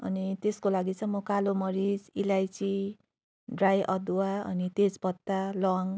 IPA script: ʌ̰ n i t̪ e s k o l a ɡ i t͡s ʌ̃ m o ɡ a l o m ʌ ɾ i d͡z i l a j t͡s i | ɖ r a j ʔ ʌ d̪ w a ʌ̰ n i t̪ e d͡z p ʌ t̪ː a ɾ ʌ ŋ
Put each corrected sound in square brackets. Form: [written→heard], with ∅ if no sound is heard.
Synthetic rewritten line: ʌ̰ n i t̪ e s k o l a ɡ i t͡s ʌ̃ m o [ɡ→k] a l o m ʌ ɾ i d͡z i l a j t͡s i | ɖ r a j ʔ ʌ d̪ w a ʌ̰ n i t̪ e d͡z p ʌ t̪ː a [ɾ→l] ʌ ŋ